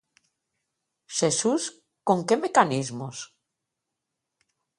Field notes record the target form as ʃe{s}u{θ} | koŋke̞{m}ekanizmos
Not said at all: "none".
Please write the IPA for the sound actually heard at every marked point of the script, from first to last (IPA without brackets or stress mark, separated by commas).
s, s, m